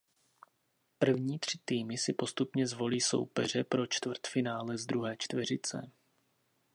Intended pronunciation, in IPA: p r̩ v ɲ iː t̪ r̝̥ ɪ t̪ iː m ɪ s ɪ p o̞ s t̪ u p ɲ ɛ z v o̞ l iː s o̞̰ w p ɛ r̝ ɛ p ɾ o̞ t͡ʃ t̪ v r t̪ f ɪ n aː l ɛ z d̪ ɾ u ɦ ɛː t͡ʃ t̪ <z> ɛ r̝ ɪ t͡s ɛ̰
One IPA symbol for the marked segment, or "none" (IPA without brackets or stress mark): v